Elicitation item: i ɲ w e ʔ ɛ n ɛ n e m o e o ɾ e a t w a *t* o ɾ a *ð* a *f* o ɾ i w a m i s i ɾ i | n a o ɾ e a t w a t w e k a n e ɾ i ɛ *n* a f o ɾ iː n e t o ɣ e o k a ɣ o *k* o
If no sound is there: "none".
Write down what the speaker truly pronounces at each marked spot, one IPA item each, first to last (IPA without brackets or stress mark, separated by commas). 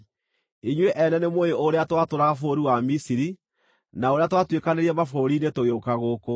t, ɣ, f, m, k